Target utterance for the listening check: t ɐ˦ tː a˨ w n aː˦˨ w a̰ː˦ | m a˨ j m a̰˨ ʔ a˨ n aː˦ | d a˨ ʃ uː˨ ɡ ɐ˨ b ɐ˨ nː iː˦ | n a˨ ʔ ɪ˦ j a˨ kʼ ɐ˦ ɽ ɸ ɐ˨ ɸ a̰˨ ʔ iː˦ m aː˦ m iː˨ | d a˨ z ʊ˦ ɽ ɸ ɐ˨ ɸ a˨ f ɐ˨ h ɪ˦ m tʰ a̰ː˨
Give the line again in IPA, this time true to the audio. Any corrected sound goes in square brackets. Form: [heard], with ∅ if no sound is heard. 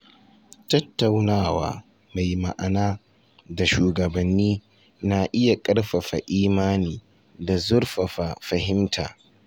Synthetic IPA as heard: t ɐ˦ tː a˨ w n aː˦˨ w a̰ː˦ | m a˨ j m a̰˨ ʔ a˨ n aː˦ | d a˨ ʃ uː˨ ɡ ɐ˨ b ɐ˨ nː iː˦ | n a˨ ʔ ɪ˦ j a˨ kʼ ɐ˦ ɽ ɸ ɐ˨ ɸ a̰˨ ʔ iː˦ m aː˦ [n] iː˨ | d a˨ z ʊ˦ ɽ ɸ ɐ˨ ɸ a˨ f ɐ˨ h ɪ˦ m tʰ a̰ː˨